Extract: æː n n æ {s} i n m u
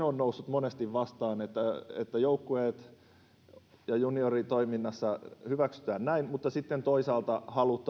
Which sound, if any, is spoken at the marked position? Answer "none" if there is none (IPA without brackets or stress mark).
none